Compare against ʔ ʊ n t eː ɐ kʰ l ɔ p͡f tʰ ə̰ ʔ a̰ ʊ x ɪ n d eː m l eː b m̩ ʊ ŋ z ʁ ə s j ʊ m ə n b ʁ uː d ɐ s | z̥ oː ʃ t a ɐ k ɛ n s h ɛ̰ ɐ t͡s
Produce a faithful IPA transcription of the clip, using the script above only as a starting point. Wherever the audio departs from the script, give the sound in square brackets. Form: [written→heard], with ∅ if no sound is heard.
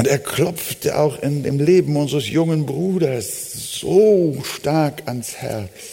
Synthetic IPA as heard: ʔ ʊ n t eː ɐ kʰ l ɔ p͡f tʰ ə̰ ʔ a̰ ʊ x ɪ n d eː m l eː b m̩ ʊ [ŋ→n] z ʁ ə s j ʊ [m→ŋ] ə n b ʁ uː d ɐ s | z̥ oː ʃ t a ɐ k [ɛ→a] n s h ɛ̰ ɐ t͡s